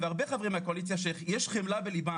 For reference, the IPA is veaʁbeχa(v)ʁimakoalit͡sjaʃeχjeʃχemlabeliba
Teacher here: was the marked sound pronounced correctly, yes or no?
yes